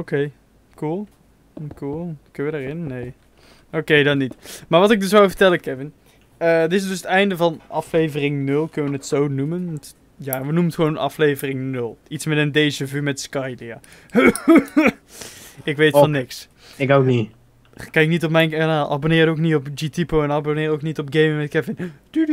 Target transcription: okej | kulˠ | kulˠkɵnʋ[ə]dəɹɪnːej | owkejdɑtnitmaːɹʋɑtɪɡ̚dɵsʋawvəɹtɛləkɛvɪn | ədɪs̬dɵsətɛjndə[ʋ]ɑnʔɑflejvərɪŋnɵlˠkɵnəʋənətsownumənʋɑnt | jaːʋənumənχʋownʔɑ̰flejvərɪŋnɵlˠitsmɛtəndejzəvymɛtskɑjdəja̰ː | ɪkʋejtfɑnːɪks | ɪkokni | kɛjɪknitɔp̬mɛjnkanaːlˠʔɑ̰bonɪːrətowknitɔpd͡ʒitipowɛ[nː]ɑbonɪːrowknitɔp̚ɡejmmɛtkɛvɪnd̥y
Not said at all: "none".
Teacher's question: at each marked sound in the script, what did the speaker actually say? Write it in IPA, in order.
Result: ə, v, n

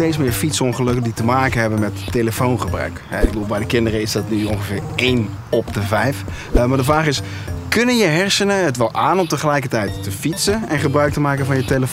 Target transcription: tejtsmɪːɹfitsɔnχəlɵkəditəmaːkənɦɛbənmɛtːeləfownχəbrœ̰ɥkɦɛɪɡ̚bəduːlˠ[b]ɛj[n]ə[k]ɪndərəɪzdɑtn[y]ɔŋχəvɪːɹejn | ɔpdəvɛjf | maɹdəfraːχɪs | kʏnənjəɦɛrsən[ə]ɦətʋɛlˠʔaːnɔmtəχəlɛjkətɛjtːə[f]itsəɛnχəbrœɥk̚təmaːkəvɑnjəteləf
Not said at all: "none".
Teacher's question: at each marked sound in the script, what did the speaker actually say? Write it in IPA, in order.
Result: b, d, k, y, ə, f

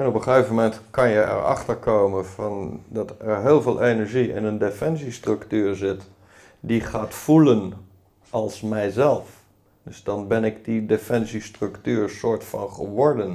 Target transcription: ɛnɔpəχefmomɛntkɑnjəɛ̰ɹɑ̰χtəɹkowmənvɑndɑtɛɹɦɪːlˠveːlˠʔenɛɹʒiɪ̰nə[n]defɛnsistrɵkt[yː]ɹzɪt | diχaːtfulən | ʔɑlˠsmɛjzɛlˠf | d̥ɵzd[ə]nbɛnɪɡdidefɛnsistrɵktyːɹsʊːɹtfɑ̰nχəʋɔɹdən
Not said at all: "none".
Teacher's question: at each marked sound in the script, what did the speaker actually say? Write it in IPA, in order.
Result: n, yː, ɑ

